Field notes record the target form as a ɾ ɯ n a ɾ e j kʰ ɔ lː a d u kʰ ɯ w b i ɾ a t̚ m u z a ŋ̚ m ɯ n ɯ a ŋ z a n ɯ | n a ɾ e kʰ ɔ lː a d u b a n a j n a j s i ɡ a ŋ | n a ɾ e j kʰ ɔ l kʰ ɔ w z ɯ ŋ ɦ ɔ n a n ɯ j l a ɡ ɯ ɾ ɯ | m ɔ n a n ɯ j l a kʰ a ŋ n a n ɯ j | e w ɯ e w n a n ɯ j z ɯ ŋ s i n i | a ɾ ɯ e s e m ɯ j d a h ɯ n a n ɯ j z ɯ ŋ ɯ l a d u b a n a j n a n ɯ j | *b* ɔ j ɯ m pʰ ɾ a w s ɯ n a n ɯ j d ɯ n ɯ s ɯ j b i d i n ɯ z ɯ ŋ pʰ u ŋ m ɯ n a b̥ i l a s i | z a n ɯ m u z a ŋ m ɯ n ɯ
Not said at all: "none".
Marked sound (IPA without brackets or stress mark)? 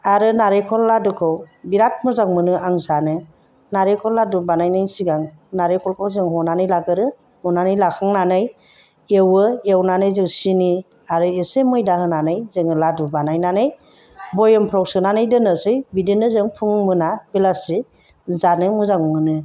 b